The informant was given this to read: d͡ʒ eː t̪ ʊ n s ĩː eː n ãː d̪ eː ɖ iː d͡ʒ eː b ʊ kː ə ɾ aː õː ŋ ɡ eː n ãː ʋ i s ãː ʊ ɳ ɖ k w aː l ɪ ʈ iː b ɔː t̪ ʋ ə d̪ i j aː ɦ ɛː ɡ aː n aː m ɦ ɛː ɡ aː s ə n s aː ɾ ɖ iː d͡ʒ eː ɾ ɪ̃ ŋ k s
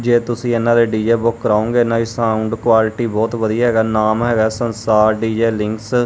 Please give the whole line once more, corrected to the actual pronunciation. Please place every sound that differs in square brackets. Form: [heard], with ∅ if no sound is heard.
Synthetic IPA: d͡ʒ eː t̪ ʊ [∅] s ĩː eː n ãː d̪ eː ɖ iː d͡ʒ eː b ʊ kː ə ɾ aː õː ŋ ɡ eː n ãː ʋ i s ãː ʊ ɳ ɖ k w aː l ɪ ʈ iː b ɔː t̪ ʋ ə d̪ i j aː ɦ ɛː ɡ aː n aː m ɦ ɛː ɡ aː s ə n s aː ɾ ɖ iː d͡ʒ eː [l] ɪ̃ ŋ k s